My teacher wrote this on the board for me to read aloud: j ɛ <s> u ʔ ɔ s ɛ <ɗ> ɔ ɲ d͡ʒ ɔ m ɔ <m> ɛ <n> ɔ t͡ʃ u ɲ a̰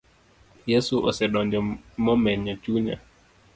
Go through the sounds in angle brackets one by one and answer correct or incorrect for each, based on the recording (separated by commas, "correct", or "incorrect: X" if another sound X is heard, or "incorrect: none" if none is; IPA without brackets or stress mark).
correct, correct, correct, incorrect: ɲ